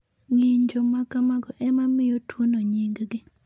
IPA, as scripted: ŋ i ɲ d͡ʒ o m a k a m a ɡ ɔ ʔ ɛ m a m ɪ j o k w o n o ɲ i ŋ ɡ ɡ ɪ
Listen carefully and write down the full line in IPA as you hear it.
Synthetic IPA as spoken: ŋ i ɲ d͡ʒ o m a k a m a ɡ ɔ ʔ ɛ m a m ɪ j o t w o n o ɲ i ŋ ɡ ɡ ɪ

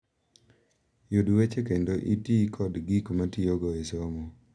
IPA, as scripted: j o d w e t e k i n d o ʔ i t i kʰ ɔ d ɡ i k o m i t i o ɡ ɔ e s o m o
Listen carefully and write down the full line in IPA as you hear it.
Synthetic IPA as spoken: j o d w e t͡ʃ e k e n d o ʔ i t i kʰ ɔ d ɡ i k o m a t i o ɡ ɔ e s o m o

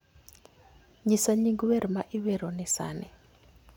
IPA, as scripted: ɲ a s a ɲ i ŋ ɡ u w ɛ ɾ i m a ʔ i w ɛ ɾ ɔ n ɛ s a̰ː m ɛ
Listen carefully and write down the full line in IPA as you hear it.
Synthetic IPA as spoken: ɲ i s a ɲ i ŋ ɡ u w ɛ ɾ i m a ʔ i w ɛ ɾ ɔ n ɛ s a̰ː n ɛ

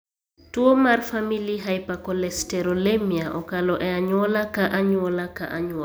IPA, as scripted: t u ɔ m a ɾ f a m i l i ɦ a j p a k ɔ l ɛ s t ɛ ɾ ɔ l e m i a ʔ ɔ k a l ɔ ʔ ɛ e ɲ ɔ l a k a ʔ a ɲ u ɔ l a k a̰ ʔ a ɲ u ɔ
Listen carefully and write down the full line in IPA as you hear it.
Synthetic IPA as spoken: t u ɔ m a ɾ f a m i l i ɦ a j p a k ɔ l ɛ s t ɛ ɾ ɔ l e m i a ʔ ɔ k a l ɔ ʔ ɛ a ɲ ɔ l a k a ʔ a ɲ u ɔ l a k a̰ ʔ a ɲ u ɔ

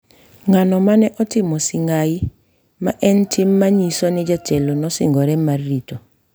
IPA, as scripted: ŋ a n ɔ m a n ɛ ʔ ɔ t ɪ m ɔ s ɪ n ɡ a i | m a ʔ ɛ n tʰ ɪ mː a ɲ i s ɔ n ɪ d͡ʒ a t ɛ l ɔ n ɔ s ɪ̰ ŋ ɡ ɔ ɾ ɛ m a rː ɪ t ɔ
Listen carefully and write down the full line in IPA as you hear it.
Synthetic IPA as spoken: ŋ a n ɔ m a n ɛ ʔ ɔ t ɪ m ɔ s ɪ ŋ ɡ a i | m a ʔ ɛ n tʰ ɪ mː a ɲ i s ɔ n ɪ d͡ʒ a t ɛ l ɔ n ɔ s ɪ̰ ŋ ɡ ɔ ɾ ɛ m a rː i t ɔ

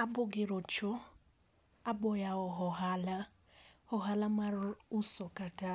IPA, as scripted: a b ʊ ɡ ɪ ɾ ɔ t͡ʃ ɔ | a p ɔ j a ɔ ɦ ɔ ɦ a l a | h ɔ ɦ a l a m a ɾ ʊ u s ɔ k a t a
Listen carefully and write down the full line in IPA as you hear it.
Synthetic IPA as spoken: a b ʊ ɡ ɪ ɾ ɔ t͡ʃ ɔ | a b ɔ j a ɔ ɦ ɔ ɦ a l a | h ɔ ɦ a l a m a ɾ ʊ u s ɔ k a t a

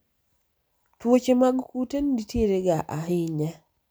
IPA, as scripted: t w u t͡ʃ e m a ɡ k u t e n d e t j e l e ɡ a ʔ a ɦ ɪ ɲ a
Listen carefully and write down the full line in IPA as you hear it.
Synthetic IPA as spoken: t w o t͡ʃ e m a ɡ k u t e n d i t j e ɾ e ɡ a ʔ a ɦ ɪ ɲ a

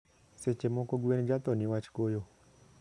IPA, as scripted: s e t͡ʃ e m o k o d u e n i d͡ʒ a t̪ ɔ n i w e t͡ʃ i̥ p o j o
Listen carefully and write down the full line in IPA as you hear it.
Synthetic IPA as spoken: s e t͡ʃ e m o k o ɡ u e n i d͡ʒ a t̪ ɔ n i w a t͡ʃ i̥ k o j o

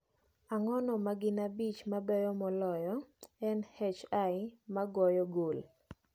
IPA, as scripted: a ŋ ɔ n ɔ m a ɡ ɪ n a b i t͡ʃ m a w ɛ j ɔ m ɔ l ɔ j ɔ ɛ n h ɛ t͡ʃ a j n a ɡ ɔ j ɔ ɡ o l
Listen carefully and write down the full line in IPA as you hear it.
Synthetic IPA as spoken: a ŋ ɔ n ɔ m a ɡ ɪ n a b i t͡ʃ m a b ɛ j ɔ m ɔ l ɔ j ɔ ɛ n h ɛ t͡ʃ a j m a ɡ ɔ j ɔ ɡ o l

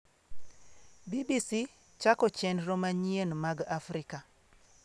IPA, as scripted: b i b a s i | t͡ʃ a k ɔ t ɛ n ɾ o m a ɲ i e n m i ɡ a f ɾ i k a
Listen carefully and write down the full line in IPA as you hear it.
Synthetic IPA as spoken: b i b i s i | t͡ʃ a k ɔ t͡ʃ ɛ n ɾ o m a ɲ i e n m a ɡ a f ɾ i k a

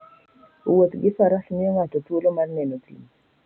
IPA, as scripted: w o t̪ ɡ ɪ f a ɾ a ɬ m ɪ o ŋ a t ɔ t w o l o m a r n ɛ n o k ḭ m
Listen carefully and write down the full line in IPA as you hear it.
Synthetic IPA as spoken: w o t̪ ɡ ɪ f a ɾ a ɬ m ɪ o ŋ a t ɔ t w o l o m a r n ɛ n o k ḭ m

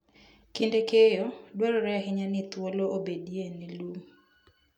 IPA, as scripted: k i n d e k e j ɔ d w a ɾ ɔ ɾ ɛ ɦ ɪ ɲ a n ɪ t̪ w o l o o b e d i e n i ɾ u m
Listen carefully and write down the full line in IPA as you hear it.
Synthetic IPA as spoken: k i n d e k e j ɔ d w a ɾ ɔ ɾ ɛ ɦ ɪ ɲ a n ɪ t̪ w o l o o b e d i e n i l u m

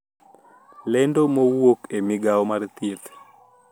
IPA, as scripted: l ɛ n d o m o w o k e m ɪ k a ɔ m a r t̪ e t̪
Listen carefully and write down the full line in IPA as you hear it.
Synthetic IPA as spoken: l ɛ n d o m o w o k e m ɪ ɡ a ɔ m a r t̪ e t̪

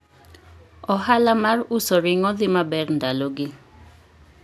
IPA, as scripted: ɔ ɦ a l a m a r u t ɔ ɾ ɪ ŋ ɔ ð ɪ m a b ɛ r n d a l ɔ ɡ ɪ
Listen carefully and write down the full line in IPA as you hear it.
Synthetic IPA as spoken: ɔ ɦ a l a m a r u s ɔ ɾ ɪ ŋ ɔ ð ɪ m a b ɛ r n d a l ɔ ɡ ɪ

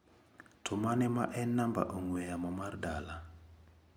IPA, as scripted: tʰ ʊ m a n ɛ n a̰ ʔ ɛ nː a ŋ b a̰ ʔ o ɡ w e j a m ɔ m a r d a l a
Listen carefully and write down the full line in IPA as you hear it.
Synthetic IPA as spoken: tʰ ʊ m a n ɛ m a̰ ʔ ɛ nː a m b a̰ ʔ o ŋ w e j a m ɔ m a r d a l a

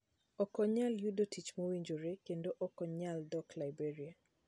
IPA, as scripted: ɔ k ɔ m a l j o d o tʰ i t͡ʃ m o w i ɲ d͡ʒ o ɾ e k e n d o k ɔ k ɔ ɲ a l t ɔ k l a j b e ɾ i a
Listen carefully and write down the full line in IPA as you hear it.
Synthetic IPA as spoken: ɔ k ɔ ɲ a l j u d o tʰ i t͡ʃ m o w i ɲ d͡ʒ o ɾ e k e n d o ʔ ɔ k ɔ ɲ a l d ɔ k l a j b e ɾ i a

